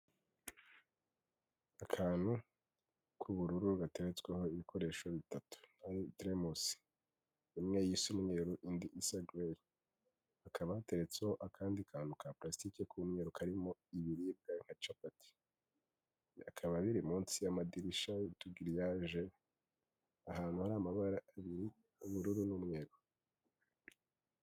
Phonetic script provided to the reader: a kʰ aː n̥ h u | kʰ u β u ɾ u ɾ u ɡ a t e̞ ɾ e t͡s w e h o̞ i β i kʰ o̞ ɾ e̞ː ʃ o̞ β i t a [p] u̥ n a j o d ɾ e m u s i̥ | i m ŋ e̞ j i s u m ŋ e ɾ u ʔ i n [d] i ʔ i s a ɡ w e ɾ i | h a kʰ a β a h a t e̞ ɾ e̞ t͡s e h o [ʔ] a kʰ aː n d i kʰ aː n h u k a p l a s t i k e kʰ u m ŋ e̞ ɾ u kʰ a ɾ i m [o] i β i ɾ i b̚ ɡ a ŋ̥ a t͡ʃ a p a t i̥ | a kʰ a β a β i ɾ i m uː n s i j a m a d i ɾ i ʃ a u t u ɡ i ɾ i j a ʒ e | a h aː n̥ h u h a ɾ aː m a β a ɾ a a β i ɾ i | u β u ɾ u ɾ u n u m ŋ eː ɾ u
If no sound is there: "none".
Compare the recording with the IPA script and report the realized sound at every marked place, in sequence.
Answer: t, d, ʔ, o

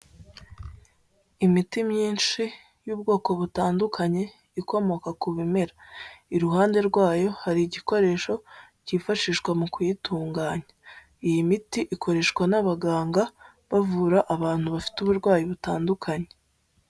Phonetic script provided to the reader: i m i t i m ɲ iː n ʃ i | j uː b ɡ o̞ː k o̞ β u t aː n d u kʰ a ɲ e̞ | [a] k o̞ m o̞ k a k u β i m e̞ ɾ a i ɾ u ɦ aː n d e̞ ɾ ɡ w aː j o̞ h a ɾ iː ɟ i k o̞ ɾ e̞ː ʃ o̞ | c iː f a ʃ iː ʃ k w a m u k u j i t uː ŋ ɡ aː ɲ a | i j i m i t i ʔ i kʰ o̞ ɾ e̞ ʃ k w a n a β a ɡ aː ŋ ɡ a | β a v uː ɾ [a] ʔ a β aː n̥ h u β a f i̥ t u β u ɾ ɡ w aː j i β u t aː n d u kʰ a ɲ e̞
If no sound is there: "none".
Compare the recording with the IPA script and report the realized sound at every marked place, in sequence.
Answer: i, a

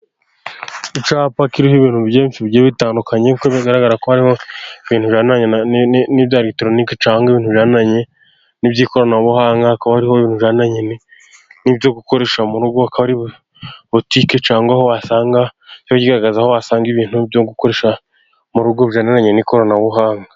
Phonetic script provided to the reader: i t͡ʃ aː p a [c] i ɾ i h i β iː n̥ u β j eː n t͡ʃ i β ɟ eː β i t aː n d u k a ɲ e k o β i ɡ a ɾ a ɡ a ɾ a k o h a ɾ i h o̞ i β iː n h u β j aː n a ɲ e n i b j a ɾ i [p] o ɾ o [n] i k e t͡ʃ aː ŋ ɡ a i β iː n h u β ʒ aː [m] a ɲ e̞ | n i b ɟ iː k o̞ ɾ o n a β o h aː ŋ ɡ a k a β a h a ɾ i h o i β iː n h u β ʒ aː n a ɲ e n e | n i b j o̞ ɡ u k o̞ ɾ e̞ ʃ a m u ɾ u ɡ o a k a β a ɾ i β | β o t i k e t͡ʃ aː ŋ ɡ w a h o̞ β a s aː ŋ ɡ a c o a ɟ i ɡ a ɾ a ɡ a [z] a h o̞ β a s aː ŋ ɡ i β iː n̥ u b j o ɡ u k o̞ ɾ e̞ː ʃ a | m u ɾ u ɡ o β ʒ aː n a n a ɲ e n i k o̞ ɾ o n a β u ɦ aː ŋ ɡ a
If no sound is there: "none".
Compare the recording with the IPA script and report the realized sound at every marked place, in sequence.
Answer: k, t, n, n, z

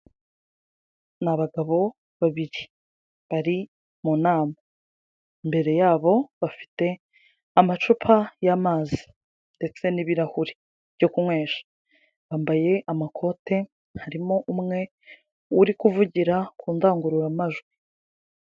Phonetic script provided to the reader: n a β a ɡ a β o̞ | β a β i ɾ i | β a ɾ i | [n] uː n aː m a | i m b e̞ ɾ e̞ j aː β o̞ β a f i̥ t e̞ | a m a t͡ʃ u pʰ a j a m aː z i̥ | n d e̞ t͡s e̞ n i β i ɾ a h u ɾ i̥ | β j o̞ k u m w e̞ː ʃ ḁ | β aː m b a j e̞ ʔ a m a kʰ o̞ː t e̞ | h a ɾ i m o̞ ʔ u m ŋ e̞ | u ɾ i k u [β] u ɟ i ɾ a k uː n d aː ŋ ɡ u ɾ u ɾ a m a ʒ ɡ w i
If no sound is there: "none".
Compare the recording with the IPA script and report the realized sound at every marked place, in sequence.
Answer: m, v

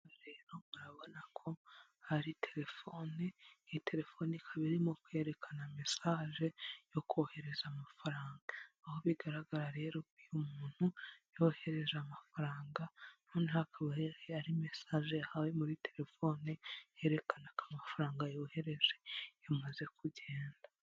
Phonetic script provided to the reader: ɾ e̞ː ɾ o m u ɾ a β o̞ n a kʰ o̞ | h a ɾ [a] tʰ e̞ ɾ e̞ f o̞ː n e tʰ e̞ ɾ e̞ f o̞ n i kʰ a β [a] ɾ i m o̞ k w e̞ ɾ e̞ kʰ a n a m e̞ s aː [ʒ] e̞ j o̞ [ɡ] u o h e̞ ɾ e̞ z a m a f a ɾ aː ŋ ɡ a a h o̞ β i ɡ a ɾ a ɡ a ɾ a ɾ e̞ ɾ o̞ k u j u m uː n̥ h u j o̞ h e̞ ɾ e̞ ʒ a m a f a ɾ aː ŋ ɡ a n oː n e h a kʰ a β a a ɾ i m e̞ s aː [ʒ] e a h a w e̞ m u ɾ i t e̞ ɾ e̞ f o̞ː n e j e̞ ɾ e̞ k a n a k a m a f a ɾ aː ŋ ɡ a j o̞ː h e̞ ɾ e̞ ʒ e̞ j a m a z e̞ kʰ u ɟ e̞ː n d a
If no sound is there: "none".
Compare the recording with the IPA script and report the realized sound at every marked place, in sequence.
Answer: i, i, ʒ, k, ʒ

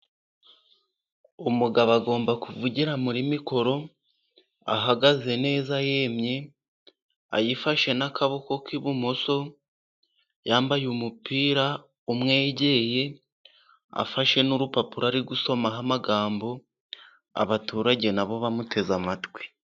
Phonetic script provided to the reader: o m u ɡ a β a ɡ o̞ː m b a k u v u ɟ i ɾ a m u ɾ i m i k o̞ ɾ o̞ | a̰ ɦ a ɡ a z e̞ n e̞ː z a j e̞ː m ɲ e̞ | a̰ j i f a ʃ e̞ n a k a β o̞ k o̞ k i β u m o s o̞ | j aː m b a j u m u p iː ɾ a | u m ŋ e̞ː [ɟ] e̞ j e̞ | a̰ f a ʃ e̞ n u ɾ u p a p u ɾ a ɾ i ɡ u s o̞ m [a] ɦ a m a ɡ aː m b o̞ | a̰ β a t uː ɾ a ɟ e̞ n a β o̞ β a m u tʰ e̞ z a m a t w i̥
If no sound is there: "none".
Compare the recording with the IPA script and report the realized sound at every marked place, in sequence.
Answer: ɟ, a

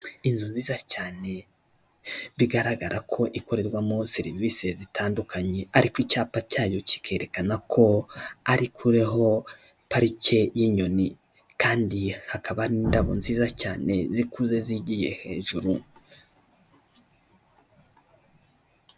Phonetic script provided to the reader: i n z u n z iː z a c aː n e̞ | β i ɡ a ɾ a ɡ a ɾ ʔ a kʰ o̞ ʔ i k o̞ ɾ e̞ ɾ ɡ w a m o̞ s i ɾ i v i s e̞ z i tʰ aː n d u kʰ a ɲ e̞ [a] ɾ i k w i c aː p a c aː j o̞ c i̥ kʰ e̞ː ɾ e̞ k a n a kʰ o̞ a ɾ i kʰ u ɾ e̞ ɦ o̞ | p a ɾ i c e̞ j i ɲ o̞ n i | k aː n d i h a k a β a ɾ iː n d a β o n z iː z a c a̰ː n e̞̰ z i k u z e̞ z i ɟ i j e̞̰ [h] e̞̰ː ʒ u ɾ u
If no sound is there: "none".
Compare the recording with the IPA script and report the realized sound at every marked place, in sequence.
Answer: a, h

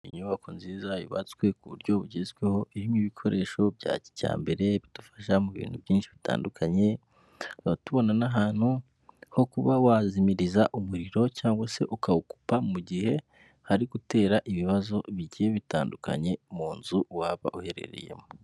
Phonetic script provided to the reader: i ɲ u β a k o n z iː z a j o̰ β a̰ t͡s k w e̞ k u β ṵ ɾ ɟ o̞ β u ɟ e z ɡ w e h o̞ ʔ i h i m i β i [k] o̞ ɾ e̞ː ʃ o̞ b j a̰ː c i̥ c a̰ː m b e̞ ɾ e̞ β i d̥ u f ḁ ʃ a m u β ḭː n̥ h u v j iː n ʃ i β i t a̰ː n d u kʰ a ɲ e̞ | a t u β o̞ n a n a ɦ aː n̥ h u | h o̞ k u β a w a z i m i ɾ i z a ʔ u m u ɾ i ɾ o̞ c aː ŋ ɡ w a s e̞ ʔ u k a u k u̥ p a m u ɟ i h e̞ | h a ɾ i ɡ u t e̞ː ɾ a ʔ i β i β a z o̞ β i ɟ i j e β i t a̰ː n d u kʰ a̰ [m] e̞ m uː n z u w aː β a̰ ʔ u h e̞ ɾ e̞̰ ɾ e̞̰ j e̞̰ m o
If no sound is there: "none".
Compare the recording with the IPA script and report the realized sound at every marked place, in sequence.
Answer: kʰ, ɲ

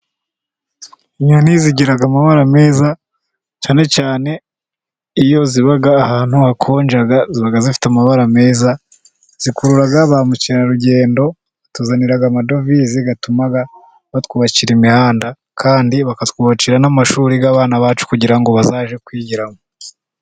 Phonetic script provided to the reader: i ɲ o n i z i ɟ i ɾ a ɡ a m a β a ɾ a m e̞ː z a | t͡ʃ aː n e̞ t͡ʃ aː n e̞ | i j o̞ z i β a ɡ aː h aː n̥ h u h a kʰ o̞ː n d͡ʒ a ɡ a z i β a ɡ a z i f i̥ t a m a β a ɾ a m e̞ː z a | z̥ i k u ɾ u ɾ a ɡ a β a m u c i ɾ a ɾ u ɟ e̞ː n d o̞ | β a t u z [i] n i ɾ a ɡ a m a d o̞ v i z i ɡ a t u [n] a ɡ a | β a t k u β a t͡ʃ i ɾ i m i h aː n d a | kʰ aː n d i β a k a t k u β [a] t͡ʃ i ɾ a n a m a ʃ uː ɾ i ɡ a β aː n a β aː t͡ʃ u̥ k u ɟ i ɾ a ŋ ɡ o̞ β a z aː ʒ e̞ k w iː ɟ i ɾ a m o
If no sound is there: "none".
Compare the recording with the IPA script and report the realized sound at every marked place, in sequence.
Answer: a, m, a

